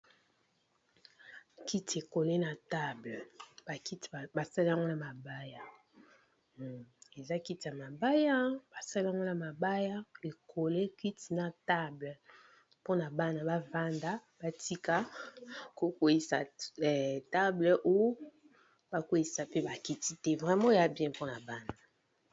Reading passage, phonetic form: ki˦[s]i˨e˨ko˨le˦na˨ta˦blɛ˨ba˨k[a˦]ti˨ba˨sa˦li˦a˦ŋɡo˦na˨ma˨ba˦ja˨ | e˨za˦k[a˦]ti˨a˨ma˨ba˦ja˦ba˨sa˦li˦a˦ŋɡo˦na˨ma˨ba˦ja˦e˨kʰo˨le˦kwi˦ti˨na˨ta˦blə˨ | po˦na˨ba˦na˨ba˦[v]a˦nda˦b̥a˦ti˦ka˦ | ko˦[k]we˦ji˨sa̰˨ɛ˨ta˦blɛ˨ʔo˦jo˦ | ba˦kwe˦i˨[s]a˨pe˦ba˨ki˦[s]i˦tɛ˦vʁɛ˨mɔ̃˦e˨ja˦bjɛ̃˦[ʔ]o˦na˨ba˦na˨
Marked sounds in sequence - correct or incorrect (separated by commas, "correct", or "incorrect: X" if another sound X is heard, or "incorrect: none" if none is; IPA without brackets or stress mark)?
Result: incorrect: t, incorrect: i˦, incorrect: i˦, correct, correct, correct, incorrect: t, incorrect: p